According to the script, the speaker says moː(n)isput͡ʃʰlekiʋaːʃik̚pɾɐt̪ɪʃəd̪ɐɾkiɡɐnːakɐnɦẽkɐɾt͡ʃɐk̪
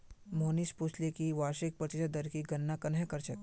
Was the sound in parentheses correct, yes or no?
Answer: yes